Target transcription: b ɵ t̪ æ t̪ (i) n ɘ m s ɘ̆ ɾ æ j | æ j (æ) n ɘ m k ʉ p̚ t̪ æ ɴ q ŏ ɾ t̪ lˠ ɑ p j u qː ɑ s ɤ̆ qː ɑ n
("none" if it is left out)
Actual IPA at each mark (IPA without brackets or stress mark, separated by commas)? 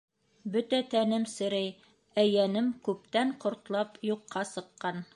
æ, æ